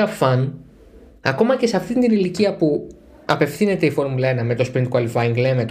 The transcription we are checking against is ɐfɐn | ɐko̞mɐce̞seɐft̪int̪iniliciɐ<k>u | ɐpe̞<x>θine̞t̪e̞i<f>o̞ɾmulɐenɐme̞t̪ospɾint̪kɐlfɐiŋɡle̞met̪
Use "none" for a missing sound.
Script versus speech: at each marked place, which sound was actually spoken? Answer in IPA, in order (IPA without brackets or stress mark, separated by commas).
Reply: p, f, f